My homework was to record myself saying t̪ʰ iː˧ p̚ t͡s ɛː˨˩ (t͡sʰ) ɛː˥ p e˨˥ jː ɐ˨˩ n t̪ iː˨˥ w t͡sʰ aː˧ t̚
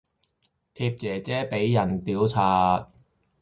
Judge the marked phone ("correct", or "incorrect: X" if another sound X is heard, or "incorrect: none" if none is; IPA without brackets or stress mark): incorrect: t͡s